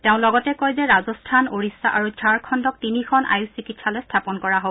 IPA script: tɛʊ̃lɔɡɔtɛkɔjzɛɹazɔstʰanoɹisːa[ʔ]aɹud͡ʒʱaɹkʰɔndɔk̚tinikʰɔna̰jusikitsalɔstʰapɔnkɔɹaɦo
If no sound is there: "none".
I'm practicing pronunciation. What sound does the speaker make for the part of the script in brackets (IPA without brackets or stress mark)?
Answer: ʔ